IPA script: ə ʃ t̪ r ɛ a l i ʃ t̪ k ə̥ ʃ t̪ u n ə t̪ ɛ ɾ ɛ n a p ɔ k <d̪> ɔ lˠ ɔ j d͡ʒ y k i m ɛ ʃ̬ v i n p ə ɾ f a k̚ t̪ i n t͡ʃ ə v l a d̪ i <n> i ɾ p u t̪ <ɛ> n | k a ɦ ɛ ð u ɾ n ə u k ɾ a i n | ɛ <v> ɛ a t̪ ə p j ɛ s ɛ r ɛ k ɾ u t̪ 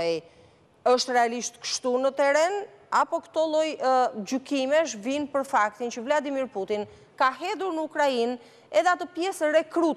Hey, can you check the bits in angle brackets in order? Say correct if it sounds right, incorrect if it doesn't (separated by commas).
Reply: incorrect, incorrect, incorrect, incorrect